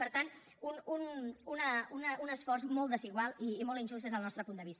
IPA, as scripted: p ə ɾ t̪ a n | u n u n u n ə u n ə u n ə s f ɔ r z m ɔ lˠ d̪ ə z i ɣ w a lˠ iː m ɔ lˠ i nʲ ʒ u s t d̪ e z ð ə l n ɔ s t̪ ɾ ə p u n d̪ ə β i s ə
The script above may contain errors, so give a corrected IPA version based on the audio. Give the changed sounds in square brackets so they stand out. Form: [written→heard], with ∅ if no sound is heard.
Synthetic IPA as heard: p ə ɾ t̪ a n | u n u n u n ə u n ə u n ə s f ɔ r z m ɔ lˠ d̪ ə z i ɣ w a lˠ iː m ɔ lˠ i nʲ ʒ u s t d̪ e z ð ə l n ɔ s t̪ ɾ ə p u n d̪ ə β i s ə